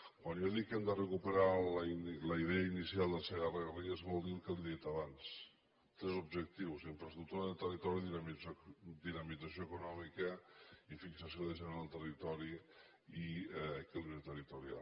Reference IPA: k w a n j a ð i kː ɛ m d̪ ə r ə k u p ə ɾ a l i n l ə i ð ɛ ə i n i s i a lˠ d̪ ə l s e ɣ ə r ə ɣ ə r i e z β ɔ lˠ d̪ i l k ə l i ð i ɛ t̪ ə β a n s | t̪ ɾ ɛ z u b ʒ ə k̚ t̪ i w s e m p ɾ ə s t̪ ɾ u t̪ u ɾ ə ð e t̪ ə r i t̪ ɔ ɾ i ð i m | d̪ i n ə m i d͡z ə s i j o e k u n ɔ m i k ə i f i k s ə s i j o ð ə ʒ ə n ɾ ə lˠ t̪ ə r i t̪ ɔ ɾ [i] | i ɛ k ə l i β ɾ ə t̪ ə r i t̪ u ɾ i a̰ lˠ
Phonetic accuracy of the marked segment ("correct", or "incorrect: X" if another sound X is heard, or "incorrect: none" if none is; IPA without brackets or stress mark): correct